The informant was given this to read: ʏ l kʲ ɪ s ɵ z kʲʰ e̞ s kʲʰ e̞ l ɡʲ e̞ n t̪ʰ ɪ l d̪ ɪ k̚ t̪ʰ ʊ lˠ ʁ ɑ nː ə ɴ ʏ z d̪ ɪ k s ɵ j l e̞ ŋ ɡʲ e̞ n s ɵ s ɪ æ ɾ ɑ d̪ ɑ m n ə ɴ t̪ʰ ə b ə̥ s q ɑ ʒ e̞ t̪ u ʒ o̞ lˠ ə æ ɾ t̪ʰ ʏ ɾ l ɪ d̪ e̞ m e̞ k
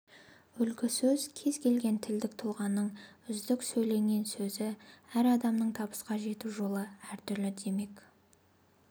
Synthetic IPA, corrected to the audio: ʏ l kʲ ɪ s ɵ z kʲʰ e̞ z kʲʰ e̞ l ɡʲ e̞ n t̪ʰ ɪ l d̪ ɪ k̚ t̪ʰ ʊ lˠ ʁ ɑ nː ə ɴ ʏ z d̪ ɪ k s ɵ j l e̞ ŋ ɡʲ e̞ n s ɵ z ɪ æ ɾ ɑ d̪ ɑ m n ə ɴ t̪ʰ ɑ b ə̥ s q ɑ ʒ e̞ t̪ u ʒ o̞ lˠ ə æ ɾ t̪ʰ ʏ ɾ l ɪ d̪ e̞ m e̞ k